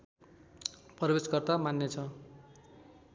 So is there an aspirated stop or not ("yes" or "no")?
yes